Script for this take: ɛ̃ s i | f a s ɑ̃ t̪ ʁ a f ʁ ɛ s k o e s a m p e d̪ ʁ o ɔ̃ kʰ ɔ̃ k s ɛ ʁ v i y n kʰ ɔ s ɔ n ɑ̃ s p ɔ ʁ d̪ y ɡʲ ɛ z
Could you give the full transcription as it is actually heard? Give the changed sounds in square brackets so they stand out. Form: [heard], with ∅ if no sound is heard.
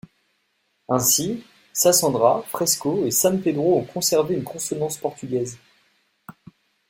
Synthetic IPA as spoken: ɛ̃ s i | [s] a s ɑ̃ [d̪] ʁ a f [χ] ɛ s k o e s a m p e d̪ ʁ o ɔ̃ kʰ ɔ̃ [∅] s ɛ ʁ v [e] y n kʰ [ɔ̃] s ɔ n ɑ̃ s p ɔ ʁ [t̪] y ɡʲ ɛ z